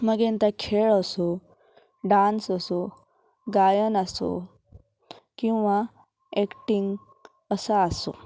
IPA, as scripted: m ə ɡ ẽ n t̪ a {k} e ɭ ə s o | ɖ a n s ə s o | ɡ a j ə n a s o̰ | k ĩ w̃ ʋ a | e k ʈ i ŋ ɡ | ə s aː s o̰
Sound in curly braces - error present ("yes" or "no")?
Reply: yes